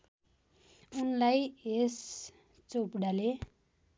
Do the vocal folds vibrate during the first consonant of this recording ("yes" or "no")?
yes